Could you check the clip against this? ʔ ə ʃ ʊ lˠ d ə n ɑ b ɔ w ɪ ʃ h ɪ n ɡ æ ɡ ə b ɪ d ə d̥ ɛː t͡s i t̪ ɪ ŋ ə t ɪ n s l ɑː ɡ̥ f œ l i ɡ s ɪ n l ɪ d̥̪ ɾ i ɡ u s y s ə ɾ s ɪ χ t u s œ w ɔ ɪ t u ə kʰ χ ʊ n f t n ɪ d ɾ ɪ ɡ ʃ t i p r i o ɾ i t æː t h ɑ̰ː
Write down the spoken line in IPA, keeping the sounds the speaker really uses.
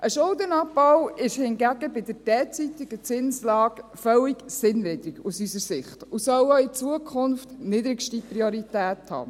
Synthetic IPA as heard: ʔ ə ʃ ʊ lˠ d ə n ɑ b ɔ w ɪ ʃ h ɪ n ɡ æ ɡ ə b ɪ d ə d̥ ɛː t͡s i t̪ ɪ ɡ ə t͡s ɪ n s l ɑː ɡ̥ f œ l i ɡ s ɪ n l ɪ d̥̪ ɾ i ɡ u s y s ə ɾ s ɪ χ t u s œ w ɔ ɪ t͡s u ə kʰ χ ʊ n f t n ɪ d ɾ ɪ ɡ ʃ t i p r i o ɾ i t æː t h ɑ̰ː